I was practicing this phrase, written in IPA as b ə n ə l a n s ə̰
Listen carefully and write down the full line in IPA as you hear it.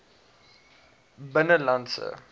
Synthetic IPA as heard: b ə n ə l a n s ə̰